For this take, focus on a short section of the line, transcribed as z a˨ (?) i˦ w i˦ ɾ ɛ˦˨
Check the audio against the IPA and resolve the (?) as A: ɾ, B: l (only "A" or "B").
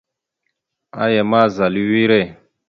B